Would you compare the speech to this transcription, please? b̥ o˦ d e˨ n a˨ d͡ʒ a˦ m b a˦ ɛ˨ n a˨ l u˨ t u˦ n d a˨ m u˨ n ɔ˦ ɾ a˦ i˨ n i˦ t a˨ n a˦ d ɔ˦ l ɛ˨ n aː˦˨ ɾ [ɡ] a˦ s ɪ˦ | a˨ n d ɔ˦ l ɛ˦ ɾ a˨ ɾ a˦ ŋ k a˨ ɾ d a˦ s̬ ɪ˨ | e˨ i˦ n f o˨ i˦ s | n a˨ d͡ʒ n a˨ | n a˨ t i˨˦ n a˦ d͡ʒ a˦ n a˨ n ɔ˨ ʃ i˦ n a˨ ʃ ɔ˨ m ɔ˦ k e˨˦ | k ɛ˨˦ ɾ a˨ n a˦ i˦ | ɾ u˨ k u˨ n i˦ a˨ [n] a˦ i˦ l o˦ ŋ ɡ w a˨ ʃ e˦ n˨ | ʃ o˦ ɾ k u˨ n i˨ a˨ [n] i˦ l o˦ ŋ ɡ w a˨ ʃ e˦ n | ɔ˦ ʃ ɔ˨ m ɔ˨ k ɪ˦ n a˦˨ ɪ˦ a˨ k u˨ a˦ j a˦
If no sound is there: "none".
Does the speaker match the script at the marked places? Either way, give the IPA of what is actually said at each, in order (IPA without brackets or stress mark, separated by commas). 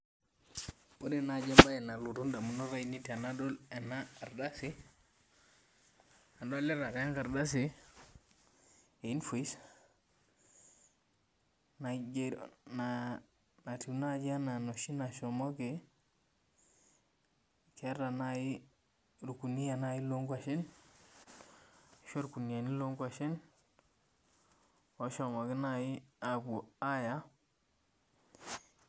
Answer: d, n, n